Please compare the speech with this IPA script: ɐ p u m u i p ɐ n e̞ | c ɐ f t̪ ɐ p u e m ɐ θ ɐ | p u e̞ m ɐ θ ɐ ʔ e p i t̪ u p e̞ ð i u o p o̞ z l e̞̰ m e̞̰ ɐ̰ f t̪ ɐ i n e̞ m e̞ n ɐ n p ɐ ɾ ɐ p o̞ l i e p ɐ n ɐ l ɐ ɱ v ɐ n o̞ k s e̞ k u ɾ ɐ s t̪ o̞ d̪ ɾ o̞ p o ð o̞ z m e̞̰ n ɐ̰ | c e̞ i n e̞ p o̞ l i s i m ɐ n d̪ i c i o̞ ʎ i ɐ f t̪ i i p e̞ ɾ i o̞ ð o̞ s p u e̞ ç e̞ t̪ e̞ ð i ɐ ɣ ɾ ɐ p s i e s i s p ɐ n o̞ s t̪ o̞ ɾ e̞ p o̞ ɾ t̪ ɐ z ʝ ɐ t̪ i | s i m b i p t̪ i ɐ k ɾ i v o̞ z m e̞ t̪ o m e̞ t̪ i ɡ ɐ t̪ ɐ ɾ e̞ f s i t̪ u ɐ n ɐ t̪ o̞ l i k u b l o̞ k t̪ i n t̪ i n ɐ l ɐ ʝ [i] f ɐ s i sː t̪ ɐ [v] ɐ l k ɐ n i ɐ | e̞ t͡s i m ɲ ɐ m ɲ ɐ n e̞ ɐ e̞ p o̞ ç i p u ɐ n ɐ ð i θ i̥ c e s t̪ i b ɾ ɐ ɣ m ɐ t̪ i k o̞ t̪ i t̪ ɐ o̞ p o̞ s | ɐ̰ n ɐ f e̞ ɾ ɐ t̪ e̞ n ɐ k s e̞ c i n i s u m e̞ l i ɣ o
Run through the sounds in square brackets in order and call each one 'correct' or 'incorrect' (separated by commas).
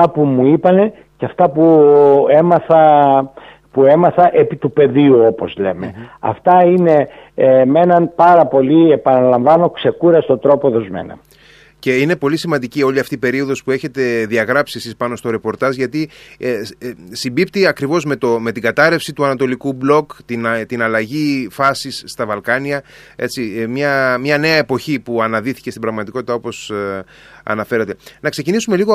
correct, correct